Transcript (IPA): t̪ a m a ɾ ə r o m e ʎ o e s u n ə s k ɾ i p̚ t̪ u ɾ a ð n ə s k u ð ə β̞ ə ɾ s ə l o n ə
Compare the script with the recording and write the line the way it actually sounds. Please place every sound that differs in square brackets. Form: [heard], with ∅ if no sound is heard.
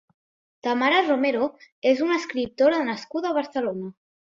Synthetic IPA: t̪ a m a ɾ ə r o m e [ɾ] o e [z] u n ə s k ɾ i p̚ t̪ [o] ɾ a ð n ə s k u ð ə β̞ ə ɾ s ə l o n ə